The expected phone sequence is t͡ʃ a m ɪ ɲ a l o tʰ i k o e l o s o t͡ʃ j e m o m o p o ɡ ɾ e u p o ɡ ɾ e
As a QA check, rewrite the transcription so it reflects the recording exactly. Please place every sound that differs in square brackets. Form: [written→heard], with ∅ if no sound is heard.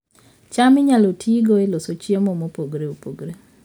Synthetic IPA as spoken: t͡ʃ a m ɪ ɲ a l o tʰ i [k→ɡ] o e l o s o t͡ʃ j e m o m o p o ɡ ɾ e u p o ɡ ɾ e